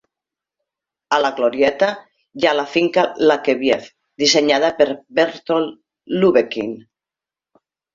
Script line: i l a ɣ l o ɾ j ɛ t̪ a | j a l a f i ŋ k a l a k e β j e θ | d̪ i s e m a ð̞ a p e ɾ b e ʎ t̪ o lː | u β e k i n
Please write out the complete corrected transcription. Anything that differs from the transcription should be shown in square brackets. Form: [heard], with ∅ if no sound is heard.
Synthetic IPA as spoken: [a] l a ɣ l o ɾ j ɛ t̪ a | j a l a f i ŋ k a l a k e β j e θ | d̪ i s e [ɲ] a ð̞ a p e ɾ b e [ɾ] t̪ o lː | u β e k i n